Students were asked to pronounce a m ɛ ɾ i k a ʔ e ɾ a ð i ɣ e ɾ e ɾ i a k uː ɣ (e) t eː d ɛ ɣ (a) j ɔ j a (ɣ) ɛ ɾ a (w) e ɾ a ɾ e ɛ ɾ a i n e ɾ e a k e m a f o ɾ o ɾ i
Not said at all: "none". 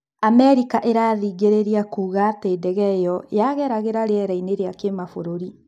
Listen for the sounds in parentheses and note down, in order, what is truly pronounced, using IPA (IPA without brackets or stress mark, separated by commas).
a, ɛ, ɣ, ɣ